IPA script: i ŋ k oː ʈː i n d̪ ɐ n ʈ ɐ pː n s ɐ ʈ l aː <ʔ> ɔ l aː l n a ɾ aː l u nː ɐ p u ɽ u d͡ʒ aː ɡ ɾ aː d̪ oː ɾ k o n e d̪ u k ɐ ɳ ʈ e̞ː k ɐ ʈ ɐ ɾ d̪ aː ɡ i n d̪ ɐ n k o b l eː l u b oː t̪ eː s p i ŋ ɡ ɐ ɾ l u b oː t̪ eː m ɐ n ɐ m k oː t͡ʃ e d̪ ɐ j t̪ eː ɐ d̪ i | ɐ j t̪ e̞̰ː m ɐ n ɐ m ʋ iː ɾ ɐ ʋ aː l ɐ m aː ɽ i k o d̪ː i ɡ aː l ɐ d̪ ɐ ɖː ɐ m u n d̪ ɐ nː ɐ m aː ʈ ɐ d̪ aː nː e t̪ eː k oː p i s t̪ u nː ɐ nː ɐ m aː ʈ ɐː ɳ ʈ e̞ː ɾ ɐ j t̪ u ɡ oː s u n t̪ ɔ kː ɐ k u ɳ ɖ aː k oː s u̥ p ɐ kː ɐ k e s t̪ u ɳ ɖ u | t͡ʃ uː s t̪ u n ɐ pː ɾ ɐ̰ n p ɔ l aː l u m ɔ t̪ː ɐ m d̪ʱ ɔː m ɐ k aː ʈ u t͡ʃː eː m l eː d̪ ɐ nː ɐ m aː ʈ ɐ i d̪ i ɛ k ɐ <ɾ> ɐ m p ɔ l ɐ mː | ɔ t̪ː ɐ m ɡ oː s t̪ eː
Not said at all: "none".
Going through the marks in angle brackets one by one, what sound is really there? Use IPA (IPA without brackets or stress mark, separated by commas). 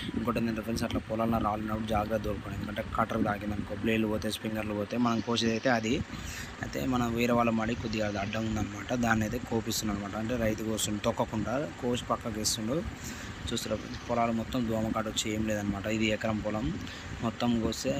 p, ɾ